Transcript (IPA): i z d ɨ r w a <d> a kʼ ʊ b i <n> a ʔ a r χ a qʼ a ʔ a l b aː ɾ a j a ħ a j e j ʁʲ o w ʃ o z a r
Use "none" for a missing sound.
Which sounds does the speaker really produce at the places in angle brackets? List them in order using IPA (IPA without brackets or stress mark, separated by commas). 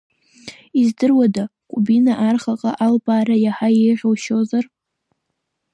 d, n